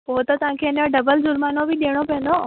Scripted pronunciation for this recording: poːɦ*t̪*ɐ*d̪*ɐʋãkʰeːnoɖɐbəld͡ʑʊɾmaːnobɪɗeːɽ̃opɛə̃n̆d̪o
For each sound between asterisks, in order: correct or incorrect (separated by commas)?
correct, incorrect